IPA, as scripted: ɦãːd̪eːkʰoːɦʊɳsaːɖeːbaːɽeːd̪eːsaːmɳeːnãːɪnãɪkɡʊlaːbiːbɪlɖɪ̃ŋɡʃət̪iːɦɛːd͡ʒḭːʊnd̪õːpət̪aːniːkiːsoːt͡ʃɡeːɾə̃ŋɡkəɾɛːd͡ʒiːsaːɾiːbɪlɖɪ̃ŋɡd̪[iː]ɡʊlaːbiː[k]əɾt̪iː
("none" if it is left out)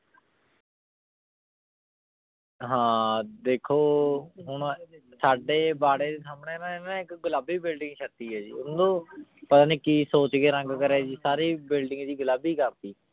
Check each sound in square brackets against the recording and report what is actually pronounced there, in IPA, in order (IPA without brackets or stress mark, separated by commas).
iː, k